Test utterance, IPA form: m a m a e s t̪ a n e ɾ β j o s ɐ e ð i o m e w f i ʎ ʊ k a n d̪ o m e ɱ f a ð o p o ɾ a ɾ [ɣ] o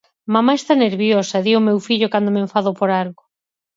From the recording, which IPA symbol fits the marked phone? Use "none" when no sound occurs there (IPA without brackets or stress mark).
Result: ɣ